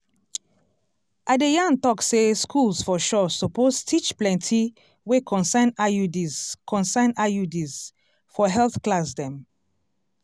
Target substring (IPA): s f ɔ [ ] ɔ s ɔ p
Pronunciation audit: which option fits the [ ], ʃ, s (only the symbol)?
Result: ʃ